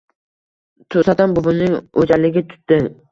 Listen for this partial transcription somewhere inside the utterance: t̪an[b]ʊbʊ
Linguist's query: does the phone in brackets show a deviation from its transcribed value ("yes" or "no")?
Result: no